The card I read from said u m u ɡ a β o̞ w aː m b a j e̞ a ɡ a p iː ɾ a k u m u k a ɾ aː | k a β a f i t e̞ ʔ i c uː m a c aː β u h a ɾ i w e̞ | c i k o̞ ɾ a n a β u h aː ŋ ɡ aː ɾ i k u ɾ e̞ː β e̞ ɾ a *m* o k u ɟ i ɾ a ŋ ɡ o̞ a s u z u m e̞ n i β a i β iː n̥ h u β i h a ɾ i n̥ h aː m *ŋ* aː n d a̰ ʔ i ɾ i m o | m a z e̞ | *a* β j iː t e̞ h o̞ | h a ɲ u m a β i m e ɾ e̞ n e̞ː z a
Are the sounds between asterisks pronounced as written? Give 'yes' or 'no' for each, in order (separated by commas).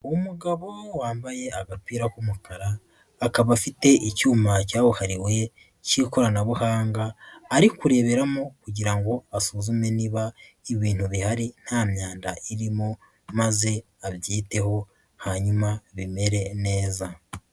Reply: yes, no, yes